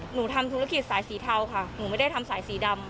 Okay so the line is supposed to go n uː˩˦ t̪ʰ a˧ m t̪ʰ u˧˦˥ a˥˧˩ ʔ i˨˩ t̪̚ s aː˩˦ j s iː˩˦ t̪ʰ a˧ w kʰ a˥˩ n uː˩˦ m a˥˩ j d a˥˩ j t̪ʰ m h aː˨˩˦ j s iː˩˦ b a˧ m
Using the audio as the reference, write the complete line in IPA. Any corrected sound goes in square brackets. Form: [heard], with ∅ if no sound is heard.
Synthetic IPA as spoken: n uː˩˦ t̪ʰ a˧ m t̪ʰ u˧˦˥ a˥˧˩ [k] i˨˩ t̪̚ s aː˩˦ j s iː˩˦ t̪ʰ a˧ w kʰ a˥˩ n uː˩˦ m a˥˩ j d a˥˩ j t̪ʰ m [s] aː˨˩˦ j s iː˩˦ [d] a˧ m